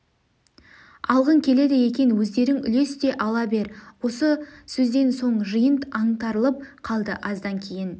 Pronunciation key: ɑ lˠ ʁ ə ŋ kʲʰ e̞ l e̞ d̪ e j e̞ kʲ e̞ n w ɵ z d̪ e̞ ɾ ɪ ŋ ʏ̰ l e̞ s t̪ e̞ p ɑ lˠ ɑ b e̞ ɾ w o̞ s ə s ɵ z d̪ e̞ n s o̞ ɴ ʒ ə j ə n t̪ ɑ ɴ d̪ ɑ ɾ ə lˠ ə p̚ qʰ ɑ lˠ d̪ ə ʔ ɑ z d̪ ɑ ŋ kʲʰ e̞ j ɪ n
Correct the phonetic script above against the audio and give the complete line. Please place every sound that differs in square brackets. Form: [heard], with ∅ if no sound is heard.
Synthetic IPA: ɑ lˠ ʁ ə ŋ kʲʰ e̞ l e̞ d̪ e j e̞ kʲ e̞ n w ɵ z d̪ e̞ ɾ ɪ ŋ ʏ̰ l e̞ s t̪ e̞ [ʔ] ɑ lˠ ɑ b e̞ ɾ w o̞ s ə s ɵ z d̪ e̞ n s o̞ ɴ ʒ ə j ə n t̪ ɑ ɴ [t̪] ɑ ɾ ə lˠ ə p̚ qʰ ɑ lˠ d̪ ə ʔ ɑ z d̪ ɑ ŋ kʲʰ e̞ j ɪ n